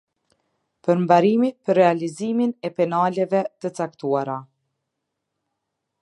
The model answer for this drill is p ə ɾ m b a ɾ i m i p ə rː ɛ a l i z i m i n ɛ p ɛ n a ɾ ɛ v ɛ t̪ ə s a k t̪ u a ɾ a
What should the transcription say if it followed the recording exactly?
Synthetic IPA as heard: p ə ɾ m b a ɾ i m i p ə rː ɛ a l i z i m i n ɛ p ɛ n a l ɛ v ɛ t̪ ə t͡s a k t̪ u a ɾ a

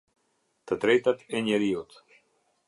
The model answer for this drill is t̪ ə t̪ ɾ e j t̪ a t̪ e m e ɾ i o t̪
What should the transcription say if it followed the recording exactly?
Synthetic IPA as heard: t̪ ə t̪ ɾ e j t̪ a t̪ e ɲ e ɾ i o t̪

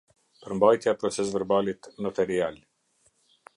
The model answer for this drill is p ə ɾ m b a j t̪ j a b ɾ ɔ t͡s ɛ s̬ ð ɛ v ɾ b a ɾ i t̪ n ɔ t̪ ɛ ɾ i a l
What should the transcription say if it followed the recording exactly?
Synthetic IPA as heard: p ə ɾ m b a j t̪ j a p ɾ ɔ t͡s ɛ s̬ v ɛ ɾ b a l i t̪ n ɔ t̪ ɛ ɾ i a l

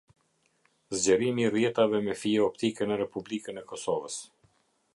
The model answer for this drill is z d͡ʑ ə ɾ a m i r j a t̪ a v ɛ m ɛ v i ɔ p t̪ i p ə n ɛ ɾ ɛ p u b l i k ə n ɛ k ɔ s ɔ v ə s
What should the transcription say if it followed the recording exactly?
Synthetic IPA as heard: z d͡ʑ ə ɾ i m i r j ɛ t̪ a v ɛ m ɛ f i ɔ p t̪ i k ə n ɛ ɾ ɛ p u b l i k ə n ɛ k ɔ s ɔ v ə s

